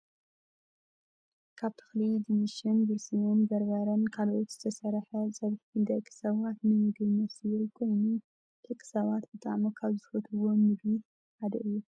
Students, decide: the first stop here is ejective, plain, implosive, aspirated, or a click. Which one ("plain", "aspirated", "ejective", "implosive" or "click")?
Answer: aspirated